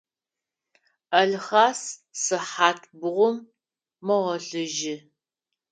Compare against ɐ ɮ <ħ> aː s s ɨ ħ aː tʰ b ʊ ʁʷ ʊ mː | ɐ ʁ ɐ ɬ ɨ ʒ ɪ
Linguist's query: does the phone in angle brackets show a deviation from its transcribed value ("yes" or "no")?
yes